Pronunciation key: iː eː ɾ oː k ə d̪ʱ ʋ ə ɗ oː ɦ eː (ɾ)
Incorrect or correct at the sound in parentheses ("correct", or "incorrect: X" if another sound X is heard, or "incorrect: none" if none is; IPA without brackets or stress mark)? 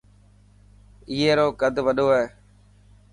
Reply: incorrect: none